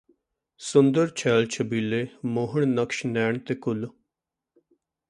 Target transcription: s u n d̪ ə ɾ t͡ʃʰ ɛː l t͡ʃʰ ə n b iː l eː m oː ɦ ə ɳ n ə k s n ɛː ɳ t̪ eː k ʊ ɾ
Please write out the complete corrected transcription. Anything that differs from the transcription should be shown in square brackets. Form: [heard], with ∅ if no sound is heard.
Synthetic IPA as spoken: s [ʊ] n d̪ ə ɾ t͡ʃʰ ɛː l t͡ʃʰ ə [∅] b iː l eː m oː ɦ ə ɳ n ə k [ʃ] n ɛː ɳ t̪ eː k ʊ [l]